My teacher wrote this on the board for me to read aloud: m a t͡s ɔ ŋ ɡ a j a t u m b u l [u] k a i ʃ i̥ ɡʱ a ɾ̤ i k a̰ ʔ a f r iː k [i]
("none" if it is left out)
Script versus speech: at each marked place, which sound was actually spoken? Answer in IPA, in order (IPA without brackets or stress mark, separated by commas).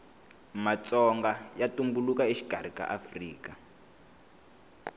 u, a